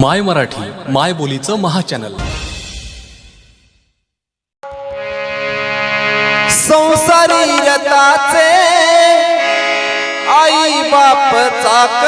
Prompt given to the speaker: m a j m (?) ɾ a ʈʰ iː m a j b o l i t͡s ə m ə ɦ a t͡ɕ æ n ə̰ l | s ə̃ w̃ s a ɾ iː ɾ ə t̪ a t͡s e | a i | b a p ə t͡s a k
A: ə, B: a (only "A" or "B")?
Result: A